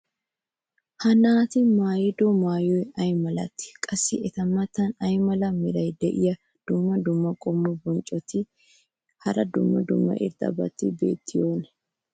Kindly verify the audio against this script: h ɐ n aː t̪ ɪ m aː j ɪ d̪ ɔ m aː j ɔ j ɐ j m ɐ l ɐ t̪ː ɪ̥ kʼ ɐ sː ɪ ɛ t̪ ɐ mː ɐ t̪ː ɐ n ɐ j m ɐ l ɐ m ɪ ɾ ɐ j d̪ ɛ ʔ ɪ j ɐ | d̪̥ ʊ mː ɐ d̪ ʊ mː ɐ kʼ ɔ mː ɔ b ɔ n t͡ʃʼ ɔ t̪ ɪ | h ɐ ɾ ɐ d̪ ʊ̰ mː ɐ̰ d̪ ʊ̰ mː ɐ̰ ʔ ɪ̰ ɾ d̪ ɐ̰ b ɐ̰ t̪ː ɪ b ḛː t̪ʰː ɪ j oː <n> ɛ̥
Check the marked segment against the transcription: correct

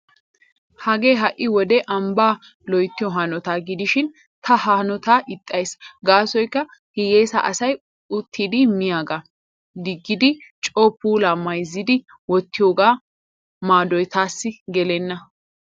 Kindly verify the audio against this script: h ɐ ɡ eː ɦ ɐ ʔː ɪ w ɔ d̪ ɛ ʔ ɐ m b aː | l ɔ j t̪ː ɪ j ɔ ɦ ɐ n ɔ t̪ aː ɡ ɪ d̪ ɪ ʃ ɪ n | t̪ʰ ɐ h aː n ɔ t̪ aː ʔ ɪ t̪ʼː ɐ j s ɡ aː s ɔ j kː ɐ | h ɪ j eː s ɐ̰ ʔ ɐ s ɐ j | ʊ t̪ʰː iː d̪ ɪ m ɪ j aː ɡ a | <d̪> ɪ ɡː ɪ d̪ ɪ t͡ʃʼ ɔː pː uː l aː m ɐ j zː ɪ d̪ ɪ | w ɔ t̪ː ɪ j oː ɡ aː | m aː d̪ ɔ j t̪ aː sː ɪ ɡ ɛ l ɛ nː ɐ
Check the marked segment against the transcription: correct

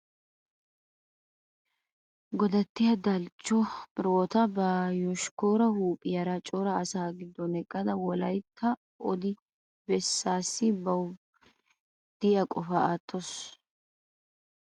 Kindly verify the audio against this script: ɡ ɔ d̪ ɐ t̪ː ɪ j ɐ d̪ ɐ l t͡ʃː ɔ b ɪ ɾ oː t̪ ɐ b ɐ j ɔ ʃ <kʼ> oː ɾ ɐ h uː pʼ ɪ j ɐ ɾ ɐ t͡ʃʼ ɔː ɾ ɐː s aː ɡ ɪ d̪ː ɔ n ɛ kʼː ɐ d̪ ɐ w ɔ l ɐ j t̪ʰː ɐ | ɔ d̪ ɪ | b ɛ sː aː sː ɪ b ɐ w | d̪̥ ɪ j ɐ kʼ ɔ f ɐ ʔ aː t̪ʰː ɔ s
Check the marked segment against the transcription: incorrect: k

